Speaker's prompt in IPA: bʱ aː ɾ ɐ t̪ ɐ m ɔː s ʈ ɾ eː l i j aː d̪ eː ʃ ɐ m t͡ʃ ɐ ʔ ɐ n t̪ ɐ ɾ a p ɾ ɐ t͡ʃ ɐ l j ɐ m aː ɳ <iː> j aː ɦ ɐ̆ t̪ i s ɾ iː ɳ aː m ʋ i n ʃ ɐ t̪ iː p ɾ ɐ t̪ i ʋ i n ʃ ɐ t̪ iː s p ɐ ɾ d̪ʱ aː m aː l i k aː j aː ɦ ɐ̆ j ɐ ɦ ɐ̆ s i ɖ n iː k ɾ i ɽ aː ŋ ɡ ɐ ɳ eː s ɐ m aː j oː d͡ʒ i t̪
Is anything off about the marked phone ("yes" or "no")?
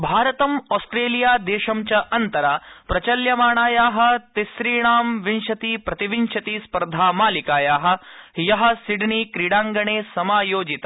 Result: yes